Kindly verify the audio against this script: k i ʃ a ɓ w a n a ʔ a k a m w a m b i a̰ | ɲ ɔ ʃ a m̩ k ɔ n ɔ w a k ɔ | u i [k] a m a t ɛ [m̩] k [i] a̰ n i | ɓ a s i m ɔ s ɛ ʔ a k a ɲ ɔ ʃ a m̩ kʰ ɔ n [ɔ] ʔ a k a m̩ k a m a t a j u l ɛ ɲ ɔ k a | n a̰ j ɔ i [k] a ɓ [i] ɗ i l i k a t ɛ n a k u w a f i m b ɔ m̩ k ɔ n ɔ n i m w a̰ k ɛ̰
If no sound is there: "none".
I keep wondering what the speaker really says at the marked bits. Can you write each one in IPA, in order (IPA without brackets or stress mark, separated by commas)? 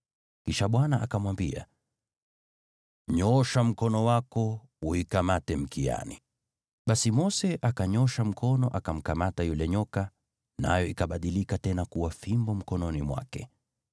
k, m̩, i, ɔ, k, a